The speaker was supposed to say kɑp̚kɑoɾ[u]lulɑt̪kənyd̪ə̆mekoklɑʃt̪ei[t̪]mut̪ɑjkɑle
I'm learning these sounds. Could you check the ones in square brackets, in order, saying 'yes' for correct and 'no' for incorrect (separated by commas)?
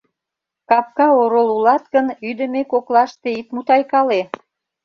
no, yes